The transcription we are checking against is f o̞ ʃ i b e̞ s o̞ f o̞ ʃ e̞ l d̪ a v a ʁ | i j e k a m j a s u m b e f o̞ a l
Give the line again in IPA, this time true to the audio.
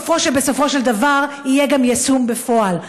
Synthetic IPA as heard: f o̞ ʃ e b e̞ s o̞ f o̞ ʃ e̞ l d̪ a v a ʁ | i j e ɡ a m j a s u m b e f o̞ a l